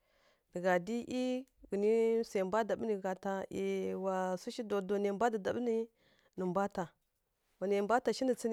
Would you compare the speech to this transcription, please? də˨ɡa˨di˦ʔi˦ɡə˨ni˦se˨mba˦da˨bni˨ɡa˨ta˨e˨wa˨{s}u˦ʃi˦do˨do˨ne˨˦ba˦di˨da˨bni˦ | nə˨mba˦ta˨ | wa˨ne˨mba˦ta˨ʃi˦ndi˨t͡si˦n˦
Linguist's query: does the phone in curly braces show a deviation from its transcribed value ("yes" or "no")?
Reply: no